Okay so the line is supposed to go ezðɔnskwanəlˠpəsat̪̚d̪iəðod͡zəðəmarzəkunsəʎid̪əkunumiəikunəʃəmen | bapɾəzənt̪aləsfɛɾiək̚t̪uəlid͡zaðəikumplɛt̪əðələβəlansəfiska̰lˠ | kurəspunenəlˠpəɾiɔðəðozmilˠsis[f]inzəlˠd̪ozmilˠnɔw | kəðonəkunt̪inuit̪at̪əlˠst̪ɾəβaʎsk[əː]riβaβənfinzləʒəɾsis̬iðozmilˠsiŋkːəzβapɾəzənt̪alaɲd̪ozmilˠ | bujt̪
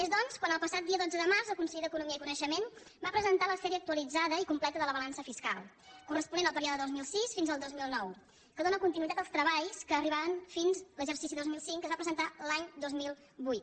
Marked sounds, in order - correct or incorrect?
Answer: correct, correct

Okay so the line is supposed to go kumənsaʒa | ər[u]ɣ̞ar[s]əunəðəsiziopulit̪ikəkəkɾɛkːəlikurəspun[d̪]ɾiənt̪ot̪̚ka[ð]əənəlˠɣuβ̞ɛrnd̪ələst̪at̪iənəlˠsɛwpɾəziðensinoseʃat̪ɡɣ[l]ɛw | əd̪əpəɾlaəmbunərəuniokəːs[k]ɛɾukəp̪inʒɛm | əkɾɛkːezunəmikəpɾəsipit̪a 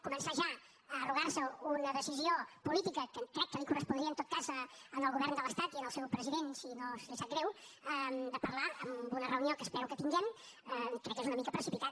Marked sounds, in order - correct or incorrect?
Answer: correct, correct, correct, incorrect: z, incorrect: ɾ, incorrect: p

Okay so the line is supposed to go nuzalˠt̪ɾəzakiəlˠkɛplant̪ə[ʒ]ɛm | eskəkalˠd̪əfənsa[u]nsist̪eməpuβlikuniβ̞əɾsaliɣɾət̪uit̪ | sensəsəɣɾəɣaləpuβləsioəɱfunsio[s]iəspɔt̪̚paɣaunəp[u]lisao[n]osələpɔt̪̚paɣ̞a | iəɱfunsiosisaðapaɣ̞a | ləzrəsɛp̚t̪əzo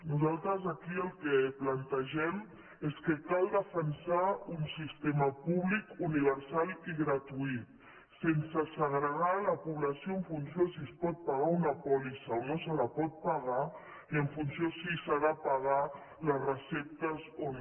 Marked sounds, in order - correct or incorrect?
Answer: correct, correct, correct, incorrect: ɔ, correct

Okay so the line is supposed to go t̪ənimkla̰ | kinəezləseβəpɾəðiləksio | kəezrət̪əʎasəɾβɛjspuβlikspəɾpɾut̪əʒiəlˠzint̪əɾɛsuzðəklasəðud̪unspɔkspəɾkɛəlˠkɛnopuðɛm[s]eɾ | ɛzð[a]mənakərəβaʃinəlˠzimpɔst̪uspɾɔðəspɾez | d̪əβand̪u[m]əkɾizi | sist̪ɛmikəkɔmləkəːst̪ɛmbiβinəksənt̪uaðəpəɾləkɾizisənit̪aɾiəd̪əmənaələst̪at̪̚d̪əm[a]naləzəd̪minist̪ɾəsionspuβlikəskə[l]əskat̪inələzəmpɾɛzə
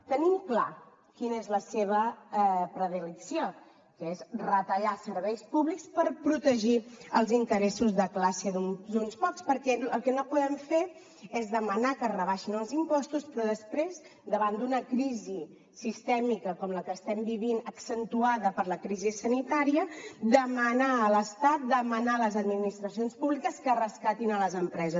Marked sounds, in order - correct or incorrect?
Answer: incorrect: f, incorrect: ə, incorrect: n, incorrect: ə, incorrect: r

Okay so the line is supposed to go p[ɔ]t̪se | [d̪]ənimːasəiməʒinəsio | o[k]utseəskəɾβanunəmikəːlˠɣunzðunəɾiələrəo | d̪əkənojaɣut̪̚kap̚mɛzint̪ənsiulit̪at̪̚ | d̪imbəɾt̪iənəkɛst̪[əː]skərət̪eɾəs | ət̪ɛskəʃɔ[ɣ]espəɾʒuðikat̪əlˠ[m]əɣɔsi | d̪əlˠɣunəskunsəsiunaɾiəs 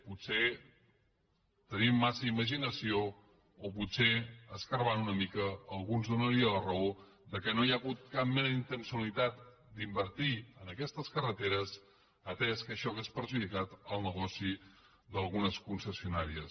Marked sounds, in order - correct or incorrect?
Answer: incorrect: u, incorrect: t̪, incorrect: p, incorrect: ə, correct, incorrect: n

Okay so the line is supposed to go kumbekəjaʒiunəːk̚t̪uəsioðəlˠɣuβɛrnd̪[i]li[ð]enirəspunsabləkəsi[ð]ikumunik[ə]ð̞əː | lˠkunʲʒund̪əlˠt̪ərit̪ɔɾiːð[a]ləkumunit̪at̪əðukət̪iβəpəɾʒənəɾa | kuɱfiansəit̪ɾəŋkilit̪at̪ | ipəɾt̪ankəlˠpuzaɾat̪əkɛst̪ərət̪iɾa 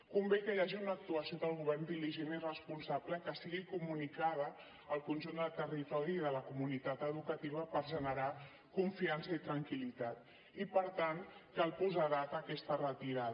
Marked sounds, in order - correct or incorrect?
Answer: correct, incorrect: ʒ, incorrect: ɣ, incorrect: a, incorrect: ə

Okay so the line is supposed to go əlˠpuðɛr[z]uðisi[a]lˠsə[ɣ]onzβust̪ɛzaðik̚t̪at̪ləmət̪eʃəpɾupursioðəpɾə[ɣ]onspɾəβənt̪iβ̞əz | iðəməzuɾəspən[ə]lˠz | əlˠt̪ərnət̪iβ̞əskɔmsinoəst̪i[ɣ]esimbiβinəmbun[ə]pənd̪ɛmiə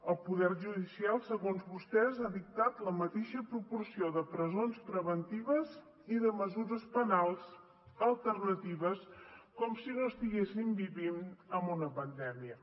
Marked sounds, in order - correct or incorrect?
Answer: incorrect: ʒ, correct, correct, incorrect: z, incorrect: a, correct, correct

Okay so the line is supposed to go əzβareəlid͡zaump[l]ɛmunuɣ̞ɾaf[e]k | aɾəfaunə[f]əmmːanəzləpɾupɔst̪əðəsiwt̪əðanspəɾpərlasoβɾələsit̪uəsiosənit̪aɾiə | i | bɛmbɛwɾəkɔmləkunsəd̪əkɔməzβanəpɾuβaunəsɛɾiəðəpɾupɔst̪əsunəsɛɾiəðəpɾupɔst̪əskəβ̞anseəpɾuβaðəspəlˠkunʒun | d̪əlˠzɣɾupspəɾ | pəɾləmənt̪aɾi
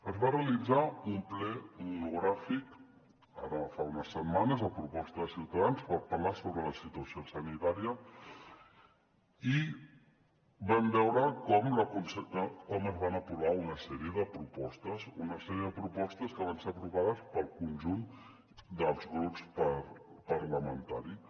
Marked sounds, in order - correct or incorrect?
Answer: correct, incorrect: i, incorrect: s

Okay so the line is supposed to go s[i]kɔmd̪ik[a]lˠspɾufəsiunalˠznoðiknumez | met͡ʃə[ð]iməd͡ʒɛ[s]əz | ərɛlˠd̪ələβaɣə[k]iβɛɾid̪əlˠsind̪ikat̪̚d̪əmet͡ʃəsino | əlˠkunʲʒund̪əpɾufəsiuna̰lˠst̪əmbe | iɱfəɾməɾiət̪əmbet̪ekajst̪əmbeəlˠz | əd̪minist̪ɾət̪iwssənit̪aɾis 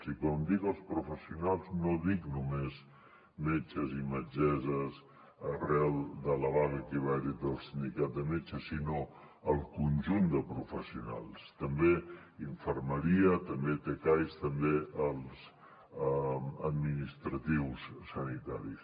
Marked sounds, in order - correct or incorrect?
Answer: correct, incorrect: ə, incorrect: z, incorrect: z, correct

